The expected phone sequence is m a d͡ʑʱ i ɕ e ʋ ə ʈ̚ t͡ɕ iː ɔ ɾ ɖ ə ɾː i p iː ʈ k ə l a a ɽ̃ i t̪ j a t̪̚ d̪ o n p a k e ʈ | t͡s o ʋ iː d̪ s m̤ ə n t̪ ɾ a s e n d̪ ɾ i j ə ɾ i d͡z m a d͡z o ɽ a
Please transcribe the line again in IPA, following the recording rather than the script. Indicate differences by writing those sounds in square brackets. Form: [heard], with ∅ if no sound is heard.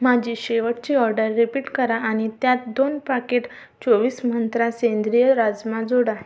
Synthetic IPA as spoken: m a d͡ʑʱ i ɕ e ʋ ə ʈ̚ t͡ɕ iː ɔ ɾ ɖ ə ɾː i p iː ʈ k ə [ɾ] a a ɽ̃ i t̪ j a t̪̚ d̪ o n p a k e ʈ | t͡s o ʋ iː [∅] s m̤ ə n t̪ ɾ a s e n d̪ ɾ i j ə ɾ [a] d͡z m a d͡z o ɽ a